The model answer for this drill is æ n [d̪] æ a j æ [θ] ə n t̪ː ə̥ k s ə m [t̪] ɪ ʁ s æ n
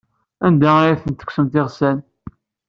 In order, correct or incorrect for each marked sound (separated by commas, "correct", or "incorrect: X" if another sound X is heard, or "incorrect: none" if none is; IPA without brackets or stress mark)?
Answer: correct, correct, correct